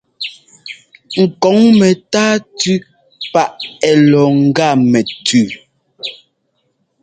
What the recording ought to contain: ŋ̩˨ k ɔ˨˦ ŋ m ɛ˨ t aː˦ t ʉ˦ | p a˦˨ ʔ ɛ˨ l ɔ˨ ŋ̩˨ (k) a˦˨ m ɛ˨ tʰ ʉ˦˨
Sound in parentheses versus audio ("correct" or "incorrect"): incorrect